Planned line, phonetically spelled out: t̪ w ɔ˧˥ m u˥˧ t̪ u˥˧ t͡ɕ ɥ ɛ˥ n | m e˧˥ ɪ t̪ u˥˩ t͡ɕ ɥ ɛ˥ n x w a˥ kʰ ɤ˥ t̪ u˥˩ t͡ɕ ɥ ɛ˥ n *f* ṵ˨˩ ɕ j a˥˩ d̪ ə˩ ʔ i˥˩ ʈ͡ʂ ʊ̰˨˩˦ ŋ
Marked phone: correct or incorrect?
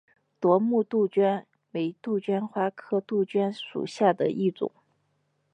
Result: incorrect: ʂ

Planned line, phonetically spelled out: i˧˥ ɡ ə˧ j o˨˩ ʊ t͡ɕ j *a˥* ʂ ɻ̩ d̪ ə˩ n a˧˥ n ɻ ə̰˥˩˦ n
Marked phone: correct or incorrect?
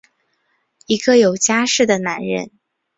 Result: correct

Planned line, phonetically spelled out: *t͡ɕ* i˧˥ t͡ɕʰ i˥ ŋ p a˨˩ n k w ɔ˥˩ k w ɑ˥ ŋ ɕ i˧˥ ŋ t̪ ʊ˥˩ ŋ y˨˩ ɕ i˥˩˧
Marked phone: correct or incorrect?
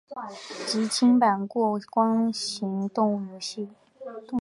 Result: correct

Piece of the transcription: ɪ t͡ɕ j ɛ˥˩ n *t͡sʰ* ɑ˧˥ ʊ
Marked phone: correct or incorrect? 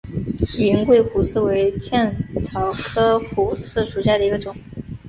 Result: correct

